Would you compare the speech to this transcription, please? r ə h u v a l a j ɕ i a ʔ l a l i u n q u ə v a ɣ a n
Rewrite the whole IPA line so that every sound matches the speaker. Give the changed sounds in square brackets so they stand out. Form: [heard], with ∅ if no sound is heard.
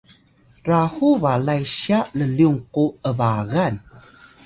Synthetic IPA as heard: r [a] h u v a l a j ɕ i a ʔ l [ə] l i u [ŋ] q u ə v a ɣ a n